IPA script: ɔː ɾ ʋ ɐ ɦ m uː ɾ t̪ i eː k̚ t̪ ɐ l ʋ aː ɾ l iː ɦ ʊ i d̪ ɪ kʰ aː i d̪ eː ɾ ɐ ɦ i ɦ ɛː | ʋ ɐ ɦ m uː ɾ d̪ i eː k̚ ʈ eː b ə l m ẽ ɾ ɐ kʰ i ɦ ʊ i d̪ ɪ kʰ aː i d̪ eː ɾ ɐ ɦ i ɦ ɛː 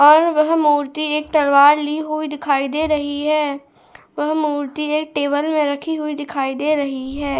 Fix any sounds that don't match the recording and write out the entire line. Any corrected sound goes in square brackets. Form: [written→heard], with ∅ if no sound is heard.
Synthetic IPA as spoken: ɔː ɾ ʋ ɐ ɦ m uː ɾ t̪ i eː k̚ t̪ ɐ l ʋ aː ɾ l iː ɦ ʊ i d̪ ɪ kʰ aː i d̪ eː ɾ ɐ ɦ i ɦ ɛː | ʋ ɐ ɦ m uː ɾ [d̪→t̪] i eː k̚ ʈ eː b ə l m ẽ ɾ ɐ kʰ i ɦ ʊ i d̪ ɪ kʰ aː i d̪ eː ɾ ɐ ɦ i ɦ ɛː